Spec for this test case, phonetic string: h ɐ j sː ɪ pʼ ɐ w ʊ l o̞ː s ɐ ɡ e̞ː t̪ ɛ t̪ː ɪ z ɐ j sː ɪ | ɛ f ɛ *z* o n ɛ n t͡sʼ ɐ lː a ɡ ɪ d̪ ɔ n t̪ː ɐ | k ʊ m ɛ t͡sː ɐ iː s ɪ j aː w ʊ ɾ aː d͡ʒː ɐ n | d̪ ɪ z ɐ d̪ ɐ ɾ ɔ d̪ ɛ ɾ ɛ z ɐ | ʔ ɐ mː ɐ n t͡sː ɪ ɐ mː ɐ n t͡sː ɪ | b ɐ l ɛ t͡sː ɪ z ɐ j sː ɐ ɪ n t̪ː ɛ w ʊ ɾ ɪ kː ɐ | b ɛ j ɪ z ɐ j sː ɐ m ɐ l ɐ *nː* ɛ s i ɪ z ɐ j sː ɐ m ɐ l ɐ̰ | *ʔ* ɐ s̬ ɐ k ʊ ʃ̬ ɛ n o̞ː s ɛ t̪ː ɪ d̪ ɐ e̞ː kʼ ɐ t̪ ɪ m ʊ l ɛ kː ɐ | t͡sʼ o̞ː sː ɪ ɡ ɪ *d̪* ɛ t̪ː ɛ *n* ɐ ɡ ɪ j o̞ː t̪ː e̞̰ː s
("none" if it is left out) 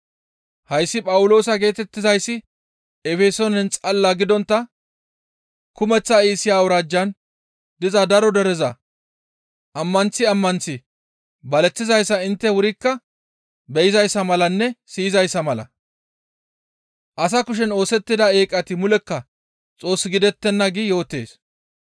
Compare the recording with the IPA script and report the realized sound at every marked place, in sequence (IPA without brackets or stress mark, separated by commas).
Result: s, nː, ʔ, d̪, nː